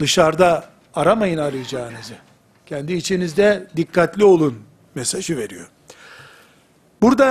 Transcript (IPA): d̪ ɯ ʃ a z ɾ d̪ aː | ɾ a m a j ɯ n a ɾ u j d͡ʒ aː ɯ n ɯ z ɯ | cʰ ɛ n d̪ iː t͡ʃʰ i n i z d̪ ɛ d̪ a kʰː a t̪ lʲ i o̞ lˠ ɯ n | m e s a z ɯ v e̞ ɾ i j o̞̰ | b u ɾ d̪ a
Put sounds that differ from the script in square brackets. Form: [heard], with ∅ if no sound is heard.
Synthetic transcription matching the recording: d̪ ɯ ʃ a [∅] ɾ d̪ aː | ɾ a m a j ɯ n a ɾ [ɯ] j d͡ʒ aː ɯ n ɯ z ɯ | cʰ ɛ n d̪ iː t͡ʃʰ i n i z d̪ ɛ d̪ [i] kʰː a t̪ lʲ i o̞ lˠ [u] n | m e s a [ʒ] ɯ v e̞ ɾ i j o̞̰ | b u ɾ d̪ a